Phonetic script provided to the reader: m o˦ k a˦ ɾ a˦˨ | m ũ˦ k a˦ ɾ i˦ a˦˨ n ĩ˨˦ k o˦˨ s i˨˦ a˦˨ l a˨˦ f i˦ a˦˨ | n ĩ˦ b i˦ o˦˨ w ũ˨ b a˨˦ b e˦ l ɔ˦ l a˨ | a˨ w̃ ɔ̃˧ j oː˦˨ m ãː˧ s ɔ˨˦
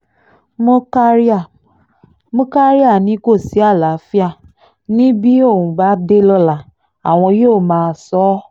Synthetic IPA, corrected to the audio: m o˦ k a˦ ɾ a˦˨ | m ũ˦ k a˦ ɾ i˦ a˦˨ n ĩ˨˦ k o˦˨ s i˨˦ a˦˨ l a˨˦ f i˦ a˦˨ | n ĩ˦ b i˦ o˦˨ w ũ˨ b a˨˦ d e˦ l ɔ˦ l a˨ | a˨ w̃ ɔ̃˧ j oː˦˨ m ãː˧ s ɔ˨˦